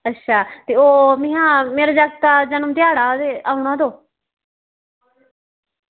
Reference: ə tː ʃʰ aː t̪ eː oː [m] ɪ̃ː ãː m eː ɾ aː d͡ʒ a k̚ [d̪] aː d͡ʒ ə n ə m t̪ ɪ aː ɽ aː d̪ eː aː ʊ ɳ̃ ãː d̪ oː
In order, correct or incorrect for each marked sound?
correct, incorrect

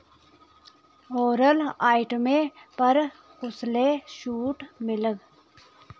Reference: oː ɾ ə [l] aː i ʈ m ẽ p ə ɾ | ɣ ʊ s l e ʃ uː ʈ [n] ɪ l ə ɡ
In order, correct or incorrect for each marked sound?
correct, incorrect

